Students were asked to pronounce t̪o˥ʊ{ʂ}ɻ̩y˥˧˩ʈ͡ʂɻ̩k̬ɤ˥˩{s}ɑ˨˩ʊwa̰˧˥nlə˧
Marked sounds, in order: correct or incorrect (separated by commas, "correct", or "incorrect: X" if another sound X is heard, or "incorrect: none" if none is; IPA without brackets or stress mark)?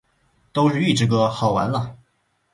correct, incorrect: x